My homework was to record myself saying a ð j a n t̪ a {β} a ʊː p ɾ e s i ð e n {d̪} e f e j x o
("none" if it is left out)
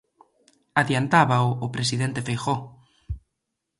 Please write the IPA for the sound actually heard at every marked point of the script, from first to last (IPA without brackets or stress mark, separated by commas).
β, t̪